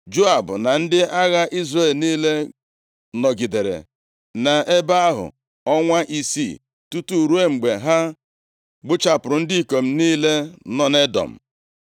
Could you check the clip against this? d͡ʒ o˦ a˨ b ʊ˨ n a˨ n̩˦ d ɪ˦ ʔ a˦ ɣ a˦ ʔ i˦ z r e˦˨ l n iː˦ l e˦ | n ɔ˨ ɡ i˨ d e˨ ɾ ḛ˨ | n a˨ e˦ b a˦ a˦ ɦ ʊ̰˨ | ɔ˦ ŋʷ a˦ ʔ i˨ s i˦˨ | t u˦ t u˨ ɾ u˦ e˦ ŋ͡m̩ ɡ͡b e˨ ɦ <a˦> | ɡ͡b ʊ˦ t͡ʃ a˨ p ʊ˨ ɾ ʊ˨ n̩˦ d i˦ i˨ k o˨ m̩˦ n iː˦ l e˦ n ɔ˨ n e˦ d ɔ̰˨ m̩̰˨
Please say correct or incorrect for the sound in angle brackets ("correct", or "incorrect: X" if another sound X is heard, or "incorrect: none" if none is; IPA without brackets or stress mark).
correct